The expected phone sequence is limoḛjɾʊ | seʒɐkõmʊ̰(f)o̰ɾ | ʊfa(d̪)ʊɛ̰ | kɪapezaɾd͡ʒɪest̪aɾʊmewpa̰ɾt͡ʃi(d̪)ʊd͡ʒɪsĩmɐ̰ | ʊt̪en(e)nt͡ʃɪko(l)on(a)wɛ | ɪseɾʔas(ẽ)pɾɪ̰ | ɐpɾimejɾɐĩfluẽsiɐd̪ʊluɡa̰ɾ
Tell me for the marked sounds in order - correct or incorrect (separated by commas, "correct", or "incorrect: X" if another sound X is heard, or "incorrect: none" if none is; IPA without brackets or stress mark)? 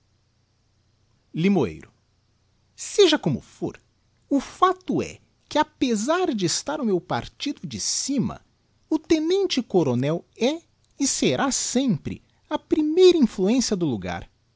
correct, incorrect: t̪, correct, incorrect: ẽ, incorrect: ɾ, incorrect: ɛ, correct